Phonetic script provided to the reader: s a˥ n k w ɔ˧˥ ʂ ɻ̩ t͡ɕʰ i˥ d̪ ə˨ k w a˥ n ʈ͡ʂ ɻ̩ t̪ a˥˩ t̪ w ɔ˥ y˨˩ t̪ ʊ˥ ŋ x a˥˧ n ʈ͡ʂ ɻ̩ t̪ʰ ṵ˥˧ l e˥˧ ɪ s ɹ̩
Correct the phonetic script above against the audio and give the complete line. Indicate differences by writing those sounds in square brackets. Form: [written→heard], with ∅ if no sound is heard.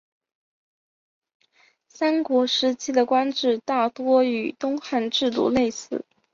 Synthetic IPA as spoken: s a˥ n k w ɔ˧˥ ʂ ɻ̩ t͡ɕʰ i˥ d̪ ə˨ k w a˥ n ʈ͡ʂ ɻ̩ t̪ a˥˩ t̪ w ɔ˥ y˨˩ t̪ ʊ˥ ŋ x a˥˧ n ʈ͡ʂ ɻ̩ [t̪ʰ→t̪] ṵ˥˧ l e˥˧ ɪ s ɹ̩